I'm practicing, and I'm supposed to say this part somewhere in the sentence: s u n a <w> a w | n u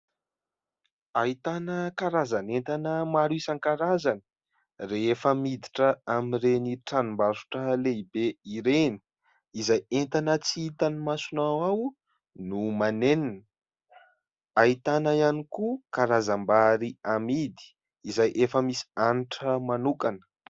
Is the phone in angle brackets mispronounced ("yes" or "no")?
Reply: no